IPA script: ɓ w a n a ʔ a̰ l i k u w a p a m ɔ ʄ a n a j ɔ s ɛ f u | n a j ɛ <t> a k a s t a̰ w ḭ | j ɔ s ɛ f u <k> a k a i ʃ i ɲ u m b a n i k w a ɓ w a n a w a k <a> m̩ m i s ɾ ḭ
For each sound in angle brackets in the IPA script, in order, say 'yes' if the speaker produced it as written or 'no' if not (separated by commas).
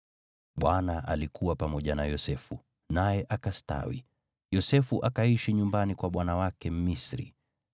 no, no, no